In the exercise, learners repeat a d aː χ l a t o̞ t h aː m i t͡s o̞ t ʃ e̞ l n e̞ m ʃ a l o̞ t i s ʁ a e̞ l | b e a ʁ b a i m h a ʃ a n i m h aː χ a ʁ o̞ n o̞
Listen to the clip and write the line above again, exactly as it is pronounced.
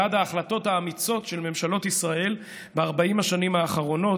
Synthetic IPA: a d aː χ l a t o̞ t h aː m i t͡s o̞ t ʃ e̞ l m e̞ m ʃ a l o̞ t i s ʁ a e̞ l | b e a ʁ b a i m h a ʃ a n i m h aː χ a ʁ o̞ n o̞